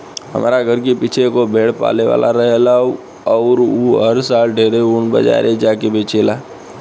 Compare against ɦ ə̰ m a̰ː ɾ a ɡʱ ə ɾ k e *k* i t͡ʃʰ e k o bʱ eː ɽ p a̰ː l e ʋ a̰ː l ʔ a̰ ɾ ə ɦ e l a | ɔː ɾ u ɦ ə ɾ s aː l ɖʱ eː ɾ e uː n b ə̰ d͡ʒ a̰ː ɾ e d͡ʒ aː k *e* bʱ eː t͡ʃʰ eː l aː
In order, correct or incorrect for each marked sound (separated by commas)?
incorrect, correct